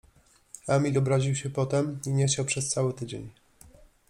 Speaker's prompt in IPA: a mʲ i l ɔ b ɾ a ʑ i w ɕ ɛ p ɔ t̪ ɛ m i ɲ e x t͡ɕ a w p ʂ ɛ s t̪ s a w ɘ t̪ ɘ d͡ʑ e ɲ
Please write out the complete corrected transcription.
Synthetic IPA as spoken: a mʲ i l ɔ b ɾ a ʑ i w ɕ ɛ p ɔ t̪ ɛ m i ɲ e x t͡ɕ a w p ʂ ɛ s t̪ s a w ɘ t̪ ɘ d͡ʑ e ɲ